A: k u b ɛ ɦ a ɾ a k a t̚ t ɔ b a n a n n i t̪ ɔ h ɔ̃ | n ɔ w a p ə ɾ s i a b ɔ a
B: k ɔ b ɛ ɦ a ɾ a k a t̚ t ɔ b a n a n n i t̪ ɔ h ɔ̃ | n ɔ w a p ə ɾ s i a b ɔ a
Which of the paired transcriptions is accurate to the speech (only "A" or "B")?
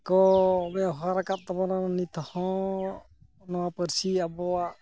B